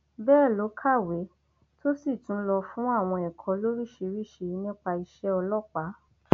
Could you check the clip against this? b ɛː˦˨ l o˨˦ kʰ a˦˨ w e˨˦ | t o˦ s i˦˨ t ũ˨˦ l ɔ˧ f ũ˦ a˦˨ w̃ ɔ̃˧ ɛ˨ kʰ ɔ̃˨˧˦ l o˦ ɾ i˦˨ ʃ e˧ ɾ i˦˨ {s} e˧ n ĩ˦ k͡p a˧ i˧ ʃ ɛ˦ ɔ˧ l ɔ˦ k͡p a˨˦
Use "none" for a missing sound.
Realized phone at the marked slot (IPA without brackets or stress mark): ʃ